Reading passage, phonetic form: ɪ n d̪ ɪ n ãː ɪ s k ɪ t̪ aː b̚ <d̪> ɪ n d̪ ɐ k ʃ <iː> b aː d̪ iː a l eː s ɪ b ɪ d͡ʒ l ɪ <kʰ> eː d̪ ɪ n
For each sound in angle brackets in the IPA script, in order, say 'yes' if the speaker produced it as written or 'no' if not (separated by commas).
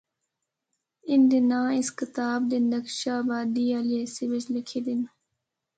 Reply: yes, no, yes